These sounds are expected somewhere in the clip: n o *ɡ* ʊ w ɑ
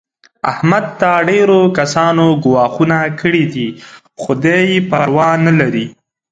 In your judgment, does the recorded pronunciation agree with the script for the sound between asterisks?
yes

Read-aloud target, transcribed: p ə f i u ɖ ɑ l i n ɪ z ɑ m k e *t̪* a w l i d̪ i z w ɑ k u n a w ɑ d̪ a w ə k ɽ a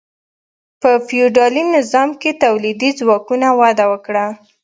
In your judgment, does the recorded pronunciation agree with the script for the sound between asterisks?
yes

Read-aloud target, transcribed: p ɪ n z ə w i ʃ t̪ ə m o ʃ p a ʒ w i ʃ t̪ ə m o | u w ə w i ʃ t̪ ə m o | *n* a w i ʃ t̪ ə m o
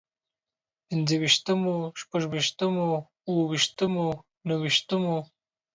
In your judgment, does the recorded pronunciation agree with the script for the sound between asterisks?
yes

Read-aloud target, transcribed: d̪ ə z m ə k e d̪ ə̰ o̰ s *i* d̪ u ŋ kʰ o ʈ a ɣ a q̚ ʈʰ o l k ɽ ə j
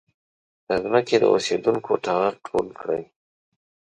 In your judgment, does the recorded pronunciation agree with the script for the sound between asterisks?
no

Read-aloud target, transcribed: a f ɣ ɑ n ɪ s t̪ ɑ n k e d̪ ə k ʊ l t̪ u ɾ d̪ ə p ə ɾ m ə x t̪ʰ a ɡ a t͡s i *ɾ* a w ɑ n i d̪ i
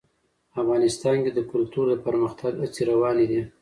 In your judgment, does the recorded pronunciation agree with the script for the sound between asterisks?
yes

